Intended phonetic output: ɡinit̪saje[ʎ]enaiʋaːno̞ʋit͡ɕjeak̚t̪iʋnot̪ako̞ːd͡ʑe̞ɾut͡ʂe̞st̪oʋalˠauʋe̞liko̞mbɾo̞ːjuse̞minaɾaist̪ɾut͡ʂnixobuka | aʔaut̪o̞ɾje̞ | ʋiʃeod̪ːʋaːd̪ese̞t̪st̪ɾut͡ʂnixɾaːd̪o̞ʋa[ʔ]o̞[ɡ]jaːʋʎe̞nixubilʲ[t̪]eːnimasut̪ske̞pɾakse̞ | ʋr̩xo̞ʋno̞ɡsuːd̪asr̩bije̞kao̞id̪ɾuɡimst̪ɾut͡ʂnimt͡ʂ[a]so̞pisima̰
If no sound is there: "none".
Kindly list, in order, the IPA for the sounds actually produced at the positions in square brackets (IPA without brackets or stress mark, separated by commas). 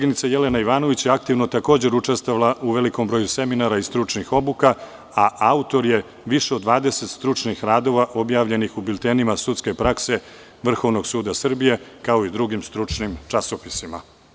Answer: l, ʔ, b, t̪, a